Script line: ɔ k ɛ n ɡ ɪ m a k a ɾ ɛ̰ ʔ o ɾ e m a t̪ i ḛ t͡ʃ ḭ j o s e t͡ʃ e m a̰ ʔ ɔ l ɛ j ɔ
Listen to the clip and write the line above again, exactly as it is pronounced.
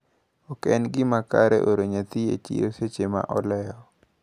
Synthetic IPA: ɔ k ɛ n ɡ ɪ m a k a ɾ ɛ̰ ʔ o ɾ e ɲ a t̪ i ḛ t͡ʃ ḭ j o s e t͡ʃ e m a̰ ʔ ɔ l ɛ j ɔ